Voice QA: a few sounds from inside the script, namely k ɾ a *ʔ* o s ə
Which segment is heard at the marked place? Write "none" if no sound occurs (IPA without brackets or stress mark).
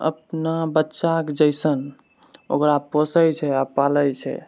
p